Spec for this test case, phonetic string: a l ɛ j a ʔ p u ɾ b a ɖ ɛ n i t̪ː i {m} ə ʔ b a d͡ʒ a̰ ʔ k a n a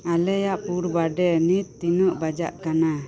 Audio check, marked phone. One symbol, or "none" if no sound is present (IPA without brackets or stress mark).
n